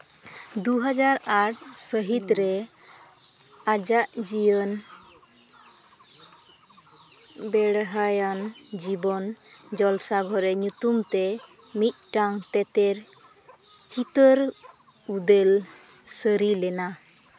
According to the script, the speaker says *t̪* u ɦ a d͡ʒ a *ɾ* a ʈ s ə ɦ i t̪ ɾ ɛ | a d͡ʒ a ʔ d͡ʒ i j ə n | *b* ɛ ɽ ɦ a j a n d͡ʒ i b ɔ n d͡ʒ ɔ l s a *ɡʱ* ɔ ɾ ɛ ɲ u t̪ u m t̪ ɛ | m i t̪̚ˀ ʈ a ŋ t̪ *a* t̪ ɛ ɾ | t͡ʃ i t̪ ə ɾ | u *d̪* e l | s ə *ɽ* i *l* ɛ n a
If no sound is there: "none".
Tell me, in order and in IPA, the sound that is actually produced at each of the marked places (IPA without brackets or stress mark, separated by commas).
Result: d̪, ɾ, b, ɡʱ, ɛ, d̪, ɾ, l